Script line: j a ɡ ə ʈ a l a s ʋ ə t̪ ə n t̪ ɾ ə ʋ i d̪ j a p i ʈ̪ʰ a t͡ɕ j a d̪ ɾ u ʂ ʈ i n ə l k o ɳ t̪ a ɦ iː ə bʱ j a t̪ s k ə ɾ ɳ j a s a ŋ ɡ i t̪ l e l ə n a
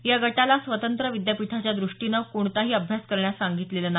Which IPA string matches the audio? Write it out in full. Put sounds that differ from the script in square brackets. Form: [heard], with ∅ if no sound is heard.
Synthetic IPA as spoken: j a ɡ ə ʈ a l a s ʋ ə t̪ ə n t̪ ɾ ə ʋ i d̪ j a p i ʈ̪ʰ a t͡ɕ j a d̪ ɾ u ʂ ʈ i n ə [∅] k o ɳ t̪ a ɦ iː ə bʱ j a [∅] s k ə ɾ ɳ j a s a ŋ ɡ i t̪ l e l ə n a

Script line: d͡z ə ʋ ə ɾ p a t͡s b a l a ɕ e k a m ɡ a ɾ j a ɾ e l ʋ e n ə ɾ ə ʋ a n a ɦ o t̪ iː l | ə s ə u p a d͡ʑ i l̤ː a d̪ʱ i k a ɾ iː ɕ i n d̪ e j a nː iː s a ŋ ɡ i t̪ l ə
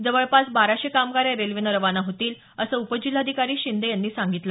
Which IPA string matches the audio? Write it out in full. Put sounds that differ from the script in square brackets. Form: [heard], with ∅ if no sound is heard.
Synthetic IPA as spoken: d͡z ə ʋ ə [ɭ] p a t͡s b a [ɾ] a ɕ e k a m ɡ a ɾ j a ɾ e l ʋ [i] n ə ɾ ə ʋ a n a ɦ o t̪ iː l | ə s ə u p [ə] d͡ʑ i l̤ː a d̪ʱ i k a ɾ iː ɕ i n d̪ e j a nː iː s a ŋ ɡ i t̪ l ə

